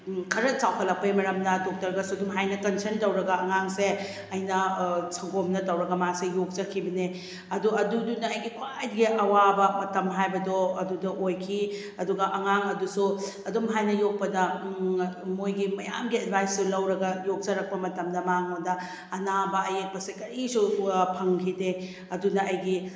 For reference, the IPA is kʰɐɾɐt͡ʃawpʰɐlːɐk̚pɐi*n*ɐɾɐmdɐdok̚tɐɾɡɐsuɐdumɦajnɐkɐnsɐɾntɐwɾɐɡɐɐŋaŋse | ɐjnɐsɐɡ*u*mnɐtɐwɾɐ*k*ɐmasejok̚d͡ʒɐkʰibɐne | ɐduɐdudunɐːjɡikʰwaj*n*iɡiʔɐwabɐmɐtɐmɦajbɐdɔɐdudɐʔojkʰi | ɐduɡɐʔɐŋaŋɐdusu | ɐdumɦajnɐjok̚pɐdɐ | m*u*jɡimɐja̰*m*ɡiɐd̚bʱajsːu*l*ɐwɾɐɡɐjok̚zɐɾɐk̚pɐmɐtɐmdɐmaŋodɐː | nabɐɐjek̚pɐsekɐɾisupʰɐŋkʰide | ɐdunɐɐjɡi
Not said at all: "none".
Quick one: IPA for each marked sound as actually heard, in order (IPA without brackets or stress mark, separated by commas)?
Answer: m, o, ɡ, d, o, m, l